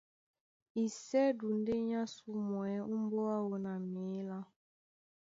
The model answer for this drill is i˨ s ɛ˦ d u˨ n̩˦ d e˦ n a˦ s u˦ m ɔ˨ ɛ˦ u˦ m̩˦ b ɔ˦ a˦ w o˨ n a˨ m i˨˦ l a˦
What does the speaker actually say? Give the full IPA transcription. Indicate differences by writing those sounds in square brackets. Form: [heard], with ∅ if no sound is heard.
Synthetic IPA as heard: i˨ s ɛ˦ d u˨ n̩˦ d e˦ [ɲ] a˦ s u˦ m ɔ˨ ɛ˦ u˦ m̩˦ b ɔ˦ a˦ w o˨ n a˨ m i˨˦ l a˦

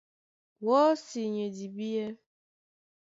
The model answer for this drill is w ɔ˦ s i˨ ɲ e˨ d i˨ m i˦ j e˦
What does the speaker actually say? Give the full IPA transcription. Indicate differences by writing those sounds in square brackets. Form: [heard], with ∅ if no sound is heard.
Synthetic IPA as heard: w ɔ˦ s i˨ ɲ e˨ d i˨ [b] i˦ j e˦

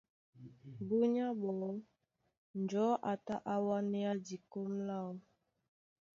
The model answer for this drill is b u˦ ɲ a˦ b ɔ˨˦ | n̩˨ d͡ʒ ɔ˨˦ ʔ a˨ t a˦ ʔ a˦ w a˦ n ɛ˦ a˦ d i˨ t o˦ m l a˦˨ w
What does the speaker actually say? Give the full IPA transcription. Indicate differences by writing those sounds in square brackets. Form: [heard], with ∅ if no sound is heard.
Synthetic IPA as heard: b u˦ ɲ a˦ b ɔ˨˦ | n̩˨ d͡ʒ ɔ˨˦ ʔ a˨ t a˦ ʔ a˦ w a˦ n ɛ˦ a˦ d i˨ [k] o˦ m l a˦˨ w

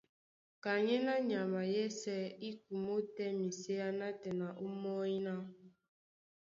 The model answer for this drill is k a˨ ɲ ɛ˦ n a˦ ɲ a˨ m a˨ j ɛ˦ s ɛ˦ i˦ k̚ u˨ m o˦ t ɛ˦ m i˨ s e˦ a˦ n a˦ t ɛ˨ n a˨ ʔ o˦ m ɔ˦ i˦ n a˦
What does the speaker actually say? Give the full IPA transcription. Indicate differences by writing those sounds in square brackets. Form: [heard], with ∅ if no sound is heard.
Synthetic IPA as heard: k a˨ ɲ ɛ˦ n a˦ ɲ a˨ m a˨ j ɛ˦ s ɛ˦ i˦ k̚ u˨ m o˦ t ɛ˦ m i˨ s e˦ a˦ n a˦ t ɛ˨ n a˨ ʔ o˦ m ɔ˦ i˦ n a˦

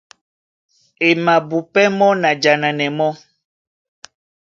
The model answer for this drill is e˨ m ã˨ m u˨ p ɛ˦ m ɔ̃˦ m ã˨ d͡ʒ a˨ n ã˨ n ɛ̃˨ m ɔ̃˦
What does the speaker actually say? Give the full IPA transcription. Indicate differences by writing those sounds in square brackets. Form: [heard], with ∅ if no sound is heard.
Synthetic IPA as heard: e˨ m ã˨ [b] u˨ p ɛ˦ m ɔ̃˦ [n] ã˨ d͡ʒ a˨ n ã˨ n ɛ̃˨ m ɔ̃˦

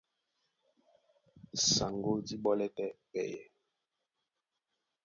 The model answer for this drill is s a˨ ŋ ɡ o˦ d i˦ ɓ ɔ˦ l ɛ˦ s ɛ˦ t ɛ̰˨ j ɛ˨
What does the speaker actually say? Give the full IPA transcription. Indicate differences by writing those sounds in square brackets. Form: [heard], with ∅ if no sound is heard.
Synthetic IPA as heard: s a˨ ŋ ɡ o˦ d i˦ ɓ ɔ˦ l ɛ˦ [t] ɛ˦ [p] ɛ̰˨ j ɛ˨

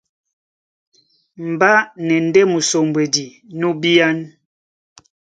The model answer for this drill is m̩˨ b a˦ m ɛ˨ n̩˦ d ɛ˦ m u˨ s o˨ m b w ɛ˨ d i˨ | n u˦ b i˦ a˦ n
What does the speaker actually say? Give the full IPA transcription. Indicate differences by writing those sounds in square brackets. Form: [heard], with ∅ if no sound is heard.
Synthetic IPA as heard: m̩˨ b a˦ [n] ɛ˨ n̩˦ d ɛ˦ m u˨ s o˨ m b w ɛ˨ d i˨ | n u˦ b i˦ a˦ n

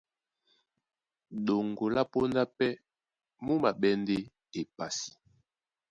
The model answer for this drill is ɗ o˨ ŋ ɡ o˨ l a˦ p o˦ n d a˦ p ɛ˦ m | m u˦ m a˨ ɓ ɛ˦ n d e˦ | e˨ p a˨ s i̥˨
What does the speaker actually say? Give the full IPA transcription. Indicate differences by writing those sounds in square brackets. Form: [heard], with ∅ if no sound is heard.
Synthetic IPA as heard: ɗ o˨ ŋ ɡ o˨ l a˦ p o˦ n d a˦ p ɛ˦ [∅] | m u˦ m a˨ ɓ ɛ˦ n d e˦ | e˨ p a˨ s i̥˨

